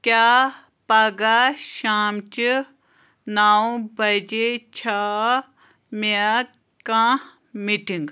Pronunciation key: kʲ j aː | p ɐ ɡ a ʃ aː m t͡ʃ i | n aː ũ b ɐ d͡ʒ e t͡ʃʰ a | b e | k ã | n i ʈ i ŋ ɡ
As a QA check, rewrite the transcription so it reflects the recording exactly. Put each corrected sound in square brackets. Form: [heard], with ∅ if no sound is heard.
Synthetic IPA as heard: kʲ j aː | p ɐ ɡ a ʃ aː m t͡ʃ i | n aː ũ b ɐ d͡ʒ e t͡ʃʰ a | [m] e | k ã | [m] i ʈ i ŋ ɡ